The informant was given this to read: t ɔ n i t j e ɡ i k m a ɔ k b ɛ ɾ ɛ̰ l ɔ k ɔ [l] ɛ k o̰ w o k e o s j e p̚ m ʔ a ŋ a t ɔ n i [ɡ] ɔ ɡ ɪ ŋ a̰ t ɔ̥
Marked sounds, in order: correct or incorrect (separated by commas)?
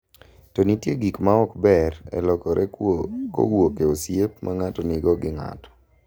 incorrect, correct